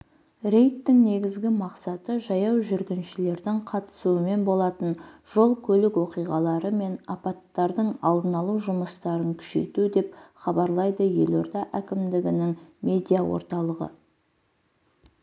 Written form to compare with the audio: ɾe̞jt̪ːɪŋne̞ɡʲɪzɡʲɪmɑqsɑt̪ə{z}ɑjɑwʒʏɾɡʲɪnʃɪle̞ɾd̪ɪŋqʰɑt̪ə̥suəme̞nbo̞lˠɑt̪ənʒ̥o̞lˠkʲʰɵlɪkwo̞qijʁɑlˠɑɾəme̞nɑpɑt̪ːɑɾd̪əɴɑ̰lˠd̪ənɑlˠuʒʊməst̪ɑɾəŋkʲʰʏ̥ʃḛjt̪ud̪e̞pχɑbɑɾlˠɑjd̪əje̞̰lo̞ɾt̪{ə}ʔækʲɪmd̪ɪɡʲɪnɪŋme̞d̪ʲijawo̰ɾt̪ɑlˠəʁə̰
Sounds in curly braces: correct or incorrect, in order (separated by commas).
incorrect, incorrect